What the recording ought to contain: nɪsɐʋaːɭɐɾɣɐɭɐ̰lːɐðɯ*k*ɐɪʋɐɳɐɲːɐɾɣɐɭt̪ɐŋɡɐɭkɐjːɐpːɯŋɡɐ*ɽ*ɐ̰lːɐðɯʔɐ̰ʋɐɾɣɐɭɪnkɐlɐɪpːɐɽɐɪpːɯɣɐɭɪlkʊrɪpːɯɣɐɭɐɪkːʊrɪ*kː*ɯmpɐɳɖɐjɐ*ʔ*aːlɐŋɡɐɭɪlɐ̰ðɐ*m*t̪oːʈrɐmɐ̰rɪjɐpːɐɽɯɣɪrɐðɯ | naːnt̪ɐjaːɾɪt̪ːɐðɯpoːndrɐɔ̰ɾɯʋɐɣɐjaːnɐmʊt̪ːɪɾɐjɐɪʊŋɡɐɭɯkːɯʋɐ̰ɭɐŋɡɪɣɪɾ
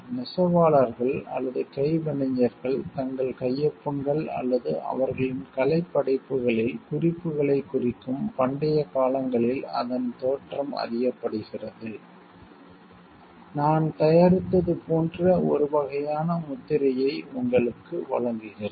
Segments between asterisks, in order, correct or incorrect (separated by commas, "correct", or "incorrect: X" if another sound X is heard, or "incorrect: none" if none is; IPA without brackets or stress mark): correct, incorrect: ɭ, correct, incorrect: k, incorrect: n